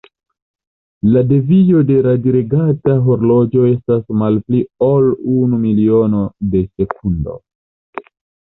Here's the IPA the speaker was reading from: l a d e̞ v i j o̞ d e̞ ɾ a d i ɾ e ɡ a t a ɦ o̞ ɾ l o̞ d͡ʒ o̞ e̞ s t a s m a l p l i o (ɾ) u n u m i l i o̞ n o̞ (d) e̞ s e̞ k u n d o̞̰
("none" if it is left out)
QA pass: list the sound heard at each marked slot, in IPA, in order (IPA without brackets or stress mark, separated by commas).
l, d